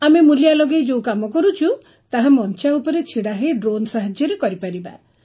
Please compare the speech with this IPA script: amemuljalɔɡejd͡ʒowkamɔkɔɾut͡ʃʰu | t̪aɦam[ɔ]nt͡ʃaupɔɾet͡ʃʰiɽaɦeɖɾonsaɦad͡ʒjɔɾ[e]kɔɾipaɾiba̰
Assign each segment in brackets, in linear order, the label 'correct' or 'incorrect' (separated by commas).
correct, correct